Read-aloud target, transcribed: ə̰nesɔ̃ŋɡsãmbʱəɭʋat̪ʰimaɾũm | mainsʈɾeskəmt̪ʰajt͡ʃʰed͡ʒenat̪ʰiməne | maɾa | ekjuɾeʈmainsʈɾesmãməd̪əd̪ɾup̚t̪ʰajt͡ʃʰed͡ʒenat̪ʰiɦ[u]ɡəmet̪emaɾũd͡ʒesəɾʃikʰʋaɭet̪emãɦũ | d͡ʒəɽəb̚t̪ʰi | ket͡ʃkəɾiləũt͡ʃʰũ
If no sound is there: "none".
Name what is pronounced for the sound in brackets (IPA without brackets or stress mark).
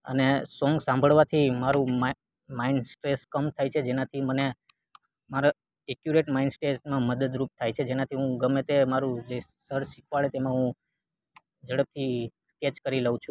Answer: ũ